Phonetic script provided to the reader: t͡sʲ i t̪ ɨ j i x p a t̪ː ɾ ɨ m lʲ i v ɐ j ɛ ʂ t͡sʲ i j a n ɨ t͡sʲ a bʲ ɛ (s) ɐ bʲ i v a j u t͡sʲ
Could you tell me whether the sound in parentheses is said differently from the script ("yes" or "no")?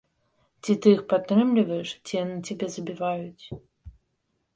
yes